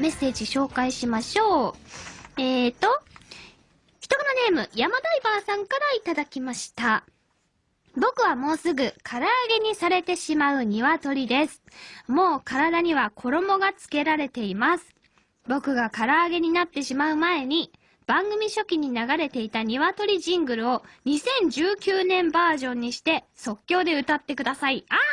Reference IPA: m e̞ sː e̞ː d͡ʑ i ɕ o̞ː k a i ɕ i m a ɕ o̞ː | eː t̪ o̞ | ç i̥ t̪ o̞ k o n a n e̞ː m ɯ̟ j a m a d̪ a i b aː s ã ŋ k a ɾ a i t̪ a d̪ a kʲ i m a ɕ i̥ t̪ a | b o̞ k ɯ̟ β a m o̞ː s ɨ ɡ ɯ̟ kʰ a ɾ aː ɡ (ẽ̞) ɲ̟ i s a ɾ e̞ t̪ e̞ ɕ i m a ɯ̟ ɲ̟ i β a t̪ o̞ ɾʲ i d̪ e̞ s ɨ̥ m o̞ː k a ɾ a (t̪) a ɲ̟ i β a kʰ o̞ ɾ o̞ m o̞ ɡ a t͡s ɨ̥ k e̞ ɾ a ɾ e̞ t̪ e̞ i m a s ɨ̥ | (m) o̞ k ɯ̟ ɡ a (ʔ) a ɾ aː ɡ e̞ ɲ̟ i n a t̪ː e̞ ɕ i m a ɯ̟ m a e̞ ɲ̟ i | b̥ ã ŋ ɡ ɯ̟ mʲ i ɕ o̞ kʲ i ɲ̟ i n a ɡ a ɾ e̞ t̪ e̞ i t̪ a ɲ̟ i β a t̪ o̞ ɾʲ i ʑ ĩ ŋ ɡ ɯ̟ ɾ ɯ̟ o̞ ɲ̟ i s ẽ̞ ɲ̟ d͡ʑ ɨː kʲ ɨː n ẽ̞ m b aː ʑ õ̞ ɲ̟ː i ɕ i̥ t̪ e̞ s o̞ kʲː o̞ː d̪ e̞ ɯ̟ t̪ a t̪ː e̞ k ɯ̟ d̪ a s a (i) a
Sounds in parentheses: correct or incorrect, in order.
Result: incorrect: e̞, incorrect: d̪, incorrect: b, incorrect: k, correct

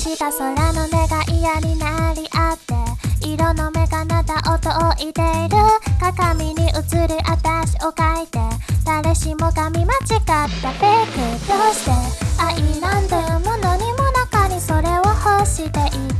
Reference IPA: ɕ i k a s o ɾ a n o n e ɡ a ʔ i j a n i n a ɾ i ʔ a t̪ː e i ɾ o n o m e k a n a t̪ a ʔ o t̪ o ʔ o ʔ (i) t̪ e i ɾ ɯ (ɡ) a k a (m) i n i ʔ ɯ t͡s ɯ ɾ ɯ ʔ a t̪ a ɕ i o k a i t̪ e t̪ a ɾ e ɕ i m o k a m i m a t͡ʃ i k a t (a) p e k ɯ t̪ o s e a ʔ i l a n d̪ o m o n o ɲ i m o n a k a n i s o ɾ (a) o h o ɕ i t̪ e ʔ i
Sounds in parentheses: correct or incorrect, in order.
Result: correct, incorrect: k, correct, correct, incorrect: e

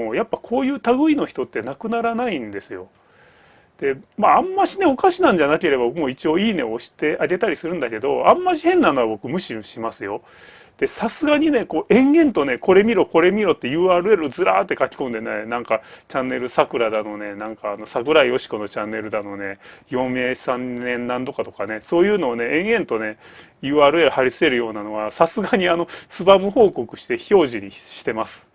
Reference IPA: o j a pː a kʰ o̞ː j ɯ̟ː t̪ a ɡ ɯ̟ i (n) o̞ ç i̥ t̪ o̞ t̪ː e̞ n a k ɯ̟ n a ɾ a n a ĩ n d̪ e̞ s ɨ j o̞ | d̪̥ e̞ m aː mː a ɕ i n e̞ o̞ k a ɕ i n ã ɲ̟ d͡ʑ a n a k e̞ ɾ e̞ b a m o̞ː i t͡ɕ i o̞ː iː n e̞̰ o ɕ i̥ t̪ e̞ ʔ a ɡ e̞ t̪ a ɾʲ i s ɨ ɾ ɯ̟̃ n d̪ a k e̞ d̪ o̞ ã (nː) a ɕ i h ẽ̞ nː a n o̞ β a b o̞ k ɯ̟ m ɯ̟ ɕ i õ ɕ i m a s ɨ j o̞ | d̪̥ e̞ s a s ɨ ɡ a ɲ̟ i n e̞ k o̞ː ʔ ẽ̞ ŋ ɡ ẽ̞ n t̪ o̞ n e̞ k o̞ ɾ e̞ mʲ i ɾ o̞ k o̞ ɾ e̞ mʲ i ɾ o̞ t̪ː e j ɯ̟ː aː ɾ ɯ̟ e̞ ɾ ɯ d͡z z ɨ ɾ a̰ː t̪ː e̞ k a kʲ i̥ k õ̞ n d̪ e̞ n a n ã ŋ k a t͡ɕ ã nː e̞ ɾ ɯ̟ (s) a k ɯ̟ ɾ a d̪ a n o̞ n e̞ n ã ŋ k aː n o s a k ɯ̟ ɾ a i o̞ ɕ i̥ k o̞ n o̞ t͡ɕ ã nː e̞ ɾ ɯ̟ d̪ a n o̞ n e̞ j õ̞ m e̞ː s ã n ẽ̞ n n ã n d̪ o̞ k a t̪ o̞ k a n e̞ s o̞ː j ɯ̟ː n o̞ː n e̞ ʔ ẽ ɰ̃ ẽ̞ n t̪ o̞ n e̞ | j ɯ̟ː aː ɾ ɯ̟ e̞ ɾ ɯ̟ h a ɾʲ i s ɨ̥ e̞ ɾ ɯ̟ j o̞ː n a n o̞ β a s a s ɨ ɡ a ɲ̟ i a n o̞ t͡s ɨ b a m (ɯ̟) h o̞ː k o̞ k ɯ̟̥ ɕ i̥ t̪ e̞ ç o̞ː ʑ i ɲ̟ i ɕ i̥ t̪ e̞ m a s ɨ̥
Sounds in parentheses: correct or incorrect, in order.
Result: correct, incorrect: mː, correct, correct

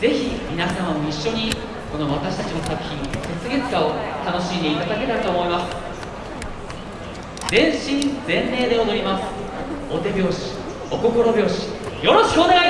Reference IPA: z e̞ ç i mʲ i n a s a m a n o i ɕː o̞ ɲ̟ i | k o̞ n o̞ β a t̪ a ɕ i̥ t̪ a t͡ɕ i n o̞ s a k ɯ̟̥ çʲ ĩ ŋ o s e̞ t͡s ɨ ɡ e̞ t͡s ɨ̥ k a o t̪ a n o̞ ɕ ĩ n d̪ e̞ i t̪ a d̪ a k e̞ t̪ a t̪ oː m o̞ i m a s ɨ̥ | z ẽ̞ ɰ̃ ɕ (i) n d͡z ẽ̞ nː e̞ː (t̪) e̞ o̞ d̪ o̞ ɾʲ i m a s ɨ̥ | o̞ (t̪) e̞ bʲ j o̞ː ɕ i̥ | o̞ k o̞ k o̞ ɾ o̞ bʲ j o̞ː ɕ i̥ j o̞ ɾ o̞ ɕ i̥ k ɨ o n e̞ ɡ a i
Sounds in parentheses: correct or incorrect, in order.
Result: incorrect: ĩ, incorrect: d̪, correct

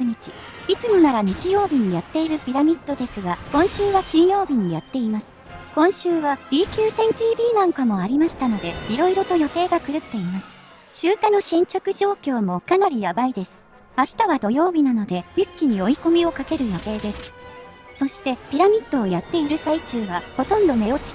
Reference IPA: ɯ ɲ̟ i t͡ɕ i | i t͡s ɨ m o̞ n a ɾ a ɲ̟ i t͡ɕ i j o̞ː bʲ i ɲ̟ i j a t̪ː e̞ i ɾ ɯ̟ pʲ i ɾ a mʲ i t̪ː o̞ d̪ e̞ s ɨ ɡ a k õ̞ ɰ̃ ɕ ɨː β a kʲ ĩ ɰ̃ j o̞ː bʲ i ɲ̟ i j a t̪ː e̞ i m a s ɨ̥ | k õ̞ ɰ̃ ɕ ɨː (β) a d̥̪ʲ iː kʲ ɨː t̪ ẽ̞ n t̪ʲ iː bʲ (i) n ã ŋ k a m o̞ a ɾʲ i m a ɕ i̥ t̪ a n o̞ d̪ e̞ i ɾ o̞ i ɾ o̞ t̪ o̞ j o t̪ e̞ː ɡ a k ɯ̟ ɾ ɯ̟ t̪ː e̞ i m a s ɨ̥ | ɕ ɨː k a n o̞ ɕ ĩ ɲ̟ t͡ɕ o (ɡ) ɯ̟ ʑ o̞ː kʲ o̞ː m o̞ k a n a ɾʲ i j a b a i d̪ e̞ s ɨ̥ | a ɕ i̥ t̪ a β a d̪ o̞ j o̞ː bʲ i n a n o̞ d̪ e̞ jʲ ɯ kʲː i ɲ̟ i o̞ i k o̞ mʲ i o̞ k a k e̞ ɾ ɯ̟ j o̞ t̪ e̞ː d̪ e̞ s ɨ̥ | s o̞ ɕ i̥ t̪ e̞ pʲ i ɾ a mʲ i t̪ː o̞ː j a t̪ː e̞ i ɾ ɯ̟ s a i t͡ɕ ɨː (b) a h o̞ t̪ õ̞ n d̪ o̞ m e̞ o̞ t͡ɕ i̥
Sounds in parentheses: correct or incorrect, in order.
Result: correct, incorrect: iː, incorrect: k, incorrect: β

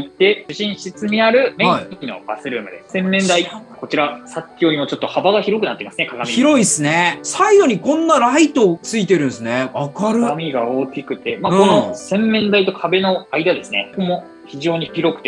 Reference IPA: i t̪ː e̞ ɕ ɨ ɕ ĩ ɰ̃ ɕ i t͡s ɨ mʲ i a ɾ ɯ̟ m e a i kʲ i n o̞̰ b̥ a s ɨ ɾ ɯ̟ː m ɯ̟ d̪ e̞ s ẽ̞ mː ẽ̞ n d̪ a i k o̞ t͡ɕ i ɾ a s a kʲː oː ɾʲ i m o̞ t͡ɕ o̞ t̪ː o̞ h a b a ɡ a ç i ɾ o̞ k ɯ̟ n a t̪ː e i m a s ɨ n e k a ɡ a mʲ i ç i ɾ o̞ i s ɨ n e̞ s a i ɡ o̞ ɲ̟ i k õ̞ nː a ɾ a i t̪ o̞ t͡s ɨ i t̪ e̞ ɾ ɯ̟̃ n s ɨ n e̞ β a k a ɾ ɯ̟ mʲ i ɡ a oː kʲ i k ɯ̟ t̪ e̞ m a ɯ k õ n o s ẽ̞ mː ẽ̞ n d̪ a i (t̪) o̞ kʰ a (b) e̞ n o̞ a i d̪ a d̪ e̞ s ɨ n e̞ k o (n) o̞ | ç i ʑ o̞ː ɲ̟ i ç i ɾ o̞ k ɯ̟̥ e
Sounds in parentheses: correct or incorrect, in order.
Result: correct, correct, incorrect: m

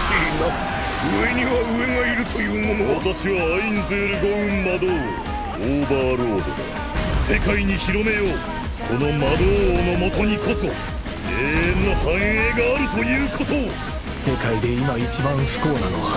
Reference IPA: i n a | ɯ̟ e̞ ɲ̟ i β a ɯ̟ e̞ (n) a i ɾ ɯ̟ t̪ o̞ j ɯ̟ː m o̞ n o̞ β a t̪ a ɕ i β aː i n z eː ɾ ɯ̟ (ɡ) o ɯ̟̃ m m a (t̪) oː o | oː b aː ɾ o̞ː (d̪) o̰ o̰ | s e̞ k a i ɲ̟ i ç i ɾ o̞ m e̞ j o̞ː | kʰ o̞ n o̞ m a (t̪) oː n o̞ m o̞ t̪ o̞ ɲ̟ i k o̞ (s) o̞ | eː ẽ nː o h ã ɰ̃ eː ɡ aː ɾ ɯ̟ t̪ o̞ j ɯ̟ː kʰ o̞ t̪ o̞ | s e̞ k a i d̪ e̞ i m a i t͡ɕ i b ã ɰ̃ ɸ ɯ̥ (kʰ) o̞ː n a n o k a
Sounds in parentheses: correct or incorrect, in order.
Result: incorrect: ŋ, correct, incorrect: d̪, correct, incorrect: d̪, correct, incorrect: k

